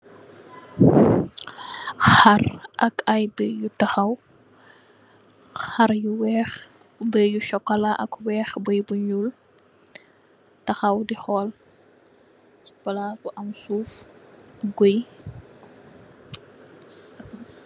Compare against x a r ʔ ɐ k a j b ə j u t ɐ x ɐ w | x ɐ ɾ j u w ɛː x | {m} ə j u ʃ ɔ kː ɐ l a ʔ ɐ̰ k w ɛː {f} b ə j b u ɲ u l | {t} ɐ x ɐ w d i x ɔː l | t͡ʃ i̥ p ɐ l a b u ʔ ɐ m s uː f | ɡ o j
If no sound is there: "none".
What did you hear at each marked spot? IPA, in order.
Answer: b, x, t

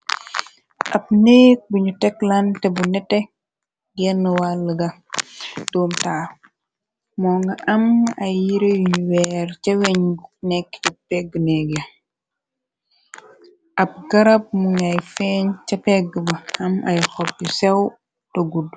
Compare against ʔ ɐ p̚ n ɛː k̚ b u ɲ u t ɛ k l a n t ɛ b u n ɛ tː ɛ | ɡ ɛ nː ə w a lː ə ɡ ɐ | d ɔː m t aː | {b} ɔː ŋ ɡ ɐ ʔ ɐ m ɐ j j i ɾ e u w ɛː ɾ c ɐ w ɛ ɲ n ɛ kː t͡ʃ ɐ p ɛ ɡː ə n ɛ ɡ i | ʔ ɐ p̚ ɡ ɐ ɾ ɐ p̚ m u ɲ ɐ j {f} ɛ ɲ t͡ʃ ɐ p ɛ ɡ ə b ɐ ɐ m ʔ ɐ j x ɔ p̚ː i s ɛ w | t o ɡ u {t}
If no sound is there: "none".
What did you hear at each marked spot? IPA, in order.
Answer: m, f, d

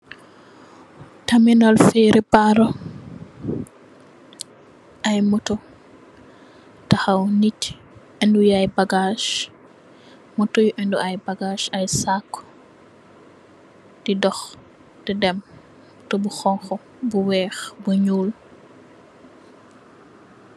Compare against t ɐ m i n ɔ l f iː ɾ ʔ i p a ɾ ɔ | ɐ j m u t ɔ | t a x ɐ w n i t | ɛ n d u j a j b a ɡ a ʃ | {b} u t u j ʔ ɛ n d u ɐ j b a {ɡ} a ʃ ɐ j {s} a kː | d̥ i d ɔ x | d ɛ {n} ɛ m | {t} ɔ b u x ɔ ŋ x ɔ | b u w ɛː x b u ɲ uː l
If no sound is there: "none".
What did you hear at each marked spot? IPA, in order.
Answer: m, ɡ, s, d, t

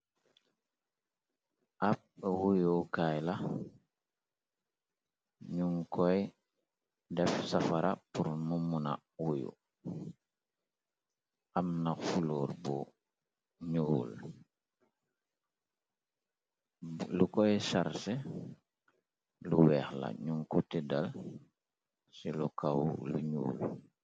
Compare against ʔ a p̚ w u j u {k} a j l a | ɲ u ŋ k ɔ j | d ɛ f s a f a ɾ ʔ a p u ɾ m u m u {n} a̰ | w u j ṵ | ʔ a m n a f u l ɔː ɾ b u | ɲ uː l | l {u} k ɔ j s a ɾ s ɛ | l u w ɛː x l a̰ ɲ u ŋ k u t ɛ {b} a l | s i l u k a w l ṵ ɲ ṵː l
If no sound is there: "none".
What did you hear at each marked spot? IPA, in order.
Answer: k, n, u, d

